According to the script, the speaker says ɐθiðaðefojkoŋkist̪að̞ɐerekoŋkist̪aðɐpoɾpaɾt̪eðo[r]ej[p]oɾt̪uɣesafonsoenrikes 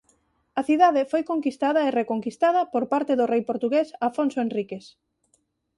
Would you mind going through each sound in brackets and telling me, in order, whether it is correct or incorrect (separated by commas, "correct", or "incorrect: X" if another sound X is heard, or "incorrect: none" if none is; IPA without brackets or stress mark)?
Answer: correct, correct